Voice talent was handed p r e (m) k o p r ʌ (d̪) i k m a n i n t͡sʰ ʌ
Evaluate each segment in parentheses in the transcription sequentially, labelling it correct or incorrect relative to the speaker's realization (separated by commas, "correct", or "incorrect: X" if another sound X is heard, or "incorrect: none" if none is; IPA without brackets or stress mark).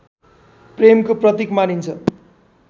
correct, incorrect: t̪